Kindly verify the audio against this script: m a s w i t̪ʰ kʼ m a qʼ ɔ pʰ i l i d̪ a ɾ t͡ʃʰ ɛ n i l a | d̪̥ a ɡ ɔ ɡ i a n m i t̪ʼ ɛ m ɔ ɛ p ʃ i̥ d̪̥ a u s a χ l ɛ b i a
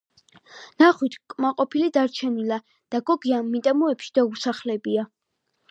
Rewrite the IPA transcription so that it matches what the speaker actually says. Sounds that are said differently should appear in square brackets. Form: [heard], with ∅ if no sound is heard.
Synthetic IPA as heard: [n] a [χ] w i t̪ʰ kʼ m a qʼ ɔ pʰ i l i d̪ a ɾ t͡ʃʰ ɛ n i l a | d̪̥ a ɡ ɔ ɡ i a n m i t̪ʼ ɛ m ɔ ɛ p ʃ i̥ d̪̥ a u s a χ l ɛ b i a